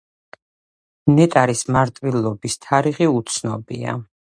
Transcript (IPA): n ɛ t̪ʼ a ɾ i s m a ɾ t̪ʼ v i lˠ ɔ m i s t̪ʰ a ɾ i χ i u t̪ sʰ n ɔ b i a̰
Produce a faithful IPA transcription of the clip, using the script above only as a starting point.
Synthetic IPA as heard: n ɛ t̪ʼ a ɾ i s m a ɾ t̪ʼ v i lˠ ɔ b i s t̪ʰ a ɾ i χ i u t̪ sʰ n ɔ b i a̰